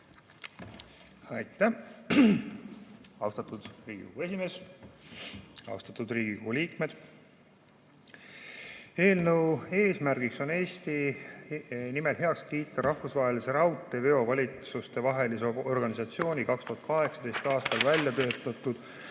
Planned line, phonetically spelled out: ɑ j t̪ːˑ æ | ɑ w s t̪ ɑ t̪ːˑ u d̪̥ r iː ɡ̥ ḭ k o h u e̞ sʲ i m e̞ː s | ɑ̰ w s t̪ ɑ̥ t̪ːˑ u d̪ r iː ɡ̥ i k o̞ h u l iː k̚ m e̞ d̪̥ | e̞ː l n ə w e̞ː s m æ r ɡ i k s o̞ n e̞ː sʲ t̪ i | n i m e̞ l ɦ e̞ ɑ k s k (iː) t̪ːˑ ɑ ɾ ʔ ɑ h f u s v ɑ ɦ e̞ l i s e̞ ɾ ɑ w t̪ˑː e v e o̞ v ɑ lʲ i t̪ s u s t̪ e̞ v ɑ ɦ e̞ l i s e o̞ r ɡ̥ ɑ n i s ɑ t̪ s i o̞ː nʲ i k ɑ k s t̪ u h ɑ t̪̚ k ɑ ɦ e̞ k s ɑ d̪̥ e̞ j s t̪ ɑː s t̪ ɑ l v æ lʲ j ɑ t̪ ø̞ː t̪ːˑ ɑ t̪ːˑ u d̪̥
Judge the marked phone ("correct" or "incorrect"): correct